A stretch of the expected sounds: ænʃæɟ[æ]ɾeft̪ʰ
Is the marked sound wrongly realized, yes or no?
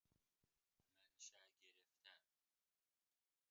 yes